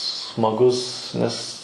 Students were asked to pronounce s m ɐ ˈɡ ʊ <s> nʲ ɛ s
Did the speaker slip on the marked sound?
no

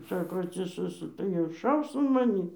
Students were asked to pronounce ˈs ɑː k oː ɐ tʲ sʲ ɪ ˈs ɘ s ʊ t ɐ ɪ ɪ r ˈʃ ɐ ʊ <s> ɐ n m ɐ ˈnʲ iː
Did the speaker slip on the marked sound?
no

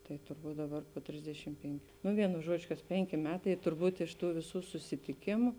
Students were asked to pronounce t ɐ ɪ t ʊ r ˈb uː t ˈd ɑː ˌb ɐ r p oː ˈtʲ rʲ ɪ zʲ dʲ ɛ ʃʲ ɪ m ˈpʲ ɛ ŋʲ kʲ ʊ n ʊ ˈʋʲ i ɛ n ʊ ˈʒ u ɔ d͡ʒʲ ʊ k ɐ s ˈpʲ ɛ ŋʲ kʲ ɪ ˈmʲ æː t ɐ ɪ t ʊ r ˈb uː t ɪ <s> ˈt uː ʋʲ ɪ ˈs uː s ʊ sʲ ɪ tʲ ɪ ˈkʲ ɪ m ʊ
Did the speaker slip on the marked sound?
yes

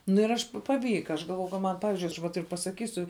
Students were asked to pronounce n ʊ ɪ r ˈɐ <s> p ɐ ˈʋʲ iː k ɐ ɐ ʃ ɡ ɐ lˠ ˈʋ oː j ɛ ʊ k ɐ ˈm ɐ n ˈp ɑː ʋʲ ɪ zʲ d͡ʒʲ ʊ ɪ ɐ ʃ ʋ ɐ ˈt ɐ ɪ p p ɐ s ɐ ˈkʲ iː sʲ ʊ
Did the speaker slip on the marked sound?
yes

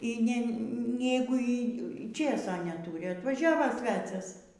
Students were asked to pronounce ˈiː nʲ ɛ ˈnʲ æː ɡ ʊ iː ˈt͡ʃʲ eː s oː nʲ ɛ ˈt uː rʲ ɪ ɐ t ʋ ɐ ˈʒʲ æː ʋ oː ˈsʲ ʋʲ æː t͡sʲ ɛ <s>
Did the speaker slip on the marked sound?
no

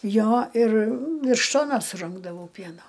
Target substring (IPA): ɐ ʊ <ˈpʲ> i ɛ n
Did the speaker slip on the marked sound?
no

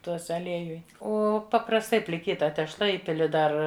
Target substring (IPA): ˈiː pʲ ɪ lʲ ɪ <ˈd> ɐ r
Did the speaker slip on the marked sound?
no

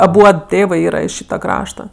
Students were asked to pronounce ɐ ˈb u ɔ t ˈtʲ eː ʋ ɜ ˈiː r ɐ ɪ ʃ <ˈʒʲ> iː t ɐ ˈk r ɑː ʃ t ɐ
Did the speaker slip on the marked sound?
yes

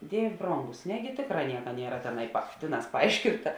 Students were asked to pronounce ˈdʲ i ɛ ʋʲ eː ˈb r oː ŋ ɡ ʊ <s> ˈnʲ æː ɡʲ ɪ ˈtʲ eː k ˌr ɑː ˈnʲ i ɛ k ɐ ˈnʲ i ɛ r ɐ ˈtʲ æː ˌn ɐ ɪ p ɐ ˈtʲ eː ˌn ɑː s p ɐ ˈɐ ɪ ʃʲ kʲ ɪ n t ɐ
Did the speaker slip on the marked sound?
no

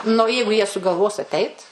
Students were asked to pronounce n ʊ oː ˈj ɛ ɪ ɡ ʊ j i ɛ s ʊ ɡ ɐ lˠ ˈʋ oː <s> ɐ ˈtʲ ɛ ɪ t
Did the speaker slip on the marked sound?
no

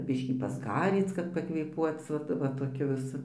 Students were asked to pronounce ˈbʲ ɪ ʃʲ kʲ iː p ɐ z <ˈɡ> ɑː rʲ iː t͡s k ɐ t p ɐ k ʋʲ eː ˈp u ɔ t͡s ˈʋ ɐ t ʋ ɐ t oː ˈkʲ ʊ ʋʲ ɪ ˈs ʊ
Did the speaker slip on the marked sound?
no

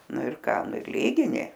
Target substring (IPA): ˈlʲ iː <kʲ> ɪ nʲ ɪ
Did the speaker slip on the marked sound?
yes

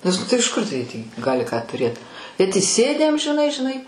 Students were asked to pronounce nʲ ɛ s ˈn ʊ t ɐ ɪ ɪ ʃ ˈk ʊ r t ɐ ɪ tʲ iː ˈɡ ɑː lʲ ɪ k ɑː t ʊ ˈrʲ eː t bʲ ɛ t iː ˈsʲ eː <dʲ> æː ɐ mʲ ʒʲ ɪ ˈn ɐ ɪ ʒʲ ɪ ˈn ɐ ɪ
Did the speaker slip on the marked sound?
no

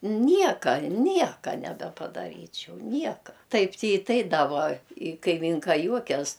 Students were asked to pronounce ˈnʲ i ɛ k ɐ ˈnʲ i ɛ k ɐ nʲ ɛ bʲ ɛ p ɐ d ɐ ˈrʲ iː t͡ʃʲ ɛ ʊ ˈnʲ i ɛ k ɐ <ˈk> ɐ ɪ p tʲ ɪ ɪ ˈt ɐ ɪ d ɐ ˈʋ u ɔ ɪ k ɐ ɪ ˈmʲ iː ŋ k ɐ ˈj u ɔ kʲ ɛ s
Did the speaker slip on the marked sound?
yes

